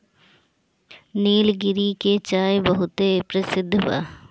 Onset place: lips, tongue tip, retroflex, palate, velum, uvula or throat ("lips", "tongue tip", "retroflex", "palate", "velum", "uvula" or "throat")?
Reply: tongue tip